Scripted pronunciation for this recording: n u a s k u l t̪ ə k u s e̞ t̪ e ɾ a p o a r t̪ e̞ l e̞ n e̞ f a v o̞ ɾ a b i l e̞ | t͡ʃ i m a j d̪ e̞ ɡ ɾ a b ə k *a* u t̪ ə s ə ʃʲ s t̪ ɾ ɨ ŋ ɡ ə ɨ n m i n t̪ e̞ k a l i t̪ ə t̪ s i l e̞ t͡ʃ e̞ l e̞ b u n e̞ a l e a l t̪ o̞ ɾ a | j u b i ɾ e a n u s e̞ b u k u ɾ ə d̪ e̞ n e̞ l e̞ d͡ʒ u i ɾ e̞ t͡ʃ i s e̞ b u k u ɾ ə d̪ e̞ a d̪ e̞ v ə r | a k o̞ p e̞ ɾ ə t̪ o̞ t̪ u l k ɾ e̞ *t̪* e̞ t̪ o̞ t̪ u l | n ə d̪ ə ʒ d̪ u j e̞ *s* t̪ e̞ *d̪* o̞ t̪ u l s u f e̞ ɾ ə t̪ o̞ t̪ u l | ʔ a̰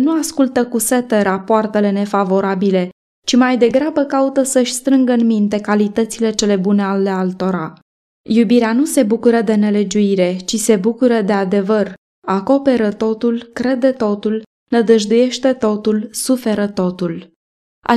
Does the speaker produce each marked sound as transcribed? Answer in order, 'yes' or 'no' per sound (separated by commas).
yes, no, no, no